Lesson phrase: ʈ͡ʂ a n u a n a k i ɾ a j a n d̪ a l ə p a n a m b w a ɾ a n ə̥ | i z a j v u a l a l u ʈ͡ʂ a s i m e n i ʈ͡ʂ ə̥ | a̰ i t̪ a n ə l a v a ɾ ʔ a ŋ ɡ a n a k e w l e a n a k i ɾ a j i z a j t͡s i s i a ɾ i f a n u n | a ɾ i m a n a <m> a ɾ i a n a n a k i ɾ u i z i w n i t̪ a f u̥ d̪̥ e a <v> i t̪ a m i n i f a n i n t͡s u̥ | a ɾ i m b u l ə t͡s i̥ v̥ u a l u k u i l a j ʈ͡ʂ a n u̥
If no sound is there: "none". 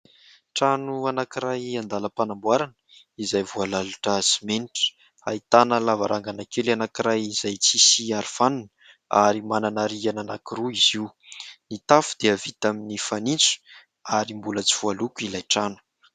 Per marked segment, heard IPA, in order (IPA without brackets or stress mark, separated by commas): n, v